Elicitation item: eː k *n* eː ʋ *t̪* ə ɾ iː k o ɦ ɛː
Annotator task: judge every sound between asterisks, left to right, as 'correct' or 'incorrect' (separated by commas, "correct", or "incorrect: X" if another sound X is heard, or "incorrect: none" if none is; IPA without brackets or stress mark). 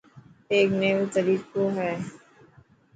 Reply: correct, correct